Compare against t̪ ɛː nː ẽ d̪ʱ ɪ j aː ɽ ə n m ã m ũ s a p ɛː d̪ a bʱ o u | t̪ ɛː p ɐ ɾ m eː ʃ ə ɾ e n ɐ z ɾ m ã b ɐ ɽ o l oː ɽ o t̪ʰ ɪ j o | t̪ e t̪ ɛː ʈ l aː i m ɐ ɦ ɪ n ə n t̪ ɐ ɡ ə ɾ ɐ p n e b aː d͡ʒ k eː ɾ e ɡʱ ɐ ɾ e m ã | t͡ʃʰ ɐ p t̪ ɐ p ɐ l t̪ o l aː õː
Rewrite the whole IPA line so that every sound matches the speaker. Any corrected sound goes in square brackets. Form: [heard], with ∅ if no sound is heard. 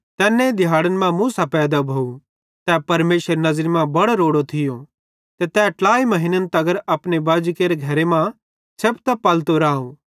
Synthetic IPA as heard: t̪ ɛː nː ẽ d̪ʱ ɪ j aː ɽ ə n m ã m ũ s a p ɛː d̪ a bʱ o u | t̪ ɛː p ɐ ɾ m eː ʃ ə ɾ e n ɐ z ɾ m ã b ɐ ɽ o [ɾ] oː ɽ o t̪ʰ ɪ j o | t̪ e t̪ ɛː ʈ l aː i m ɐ ɦ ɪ n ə n t̪ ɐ ɡ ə ɾ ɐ p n e b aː d͡ʒ k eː ɾ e ɡʱ ɐ ɾ e m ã | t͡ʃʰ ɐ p t̪ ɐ p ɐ l t̪ o [ɾ] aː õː